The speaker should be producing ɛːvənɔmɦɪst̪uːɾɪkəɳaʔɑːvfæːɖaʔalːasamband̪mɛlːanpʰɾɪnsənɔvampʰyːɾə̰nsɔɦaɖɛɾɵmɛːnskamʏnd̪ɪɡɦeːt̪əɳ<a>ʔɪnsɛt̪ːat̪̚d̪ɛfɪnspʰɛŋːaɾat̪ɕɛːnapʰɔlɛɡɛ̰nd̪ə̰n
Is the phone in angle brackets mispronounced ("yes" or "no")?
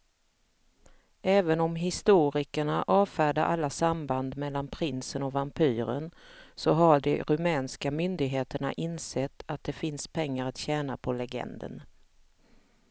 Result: no